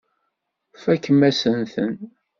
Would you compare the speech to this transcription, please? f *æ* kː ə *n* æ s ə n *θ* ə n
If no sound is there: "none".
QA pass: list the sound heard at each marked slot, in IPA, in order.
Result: æ, m, θ

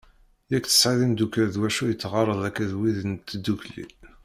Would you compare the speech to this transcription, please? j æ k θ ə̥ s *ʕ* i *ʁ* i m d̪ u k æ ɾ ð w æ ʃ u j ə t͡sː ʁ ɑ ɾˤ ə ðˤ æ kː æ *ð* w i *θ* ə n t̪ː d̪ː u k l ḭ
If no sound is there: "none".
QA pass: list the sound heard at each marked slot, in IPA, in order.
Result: ʕ, ð, ð, ð

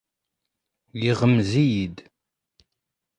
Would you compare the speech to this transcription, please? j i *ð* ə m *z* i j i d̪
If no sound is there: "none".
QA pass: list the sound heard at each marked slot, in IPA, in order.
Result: ʁ, z

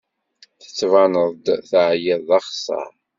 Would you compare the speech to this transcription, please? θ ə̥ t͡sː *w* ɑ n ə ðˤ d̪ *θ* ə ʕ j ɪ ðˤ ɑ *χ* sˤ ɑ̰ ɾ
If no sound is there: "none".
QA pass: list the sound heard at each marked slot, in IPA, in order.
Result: v, θ, χ

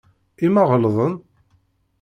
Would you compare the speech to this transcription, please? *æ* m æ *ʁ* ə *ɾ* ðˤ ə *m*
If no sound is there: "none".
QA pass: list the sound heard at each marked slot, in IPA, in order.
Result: i, ʁ, l, n

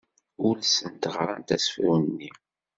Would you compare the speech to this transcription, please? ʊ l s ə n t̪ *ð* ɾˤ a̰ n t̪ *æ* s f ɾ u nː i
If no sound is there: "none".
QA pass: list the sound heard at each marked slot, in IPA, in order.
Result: ʁ, æ

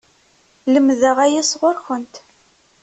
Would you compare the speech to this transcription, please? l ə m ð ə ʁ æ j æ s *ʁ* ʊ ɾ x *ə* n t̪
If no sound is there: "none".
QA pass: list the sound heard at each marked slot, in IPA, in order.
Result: ʁ, ə

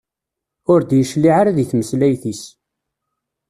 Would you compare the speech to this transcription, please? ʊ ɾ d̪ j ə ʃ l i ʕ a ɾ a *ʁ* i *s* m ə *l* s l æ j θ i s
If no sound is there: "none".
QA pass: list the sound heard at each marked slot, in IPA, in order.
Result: ð, θ, none

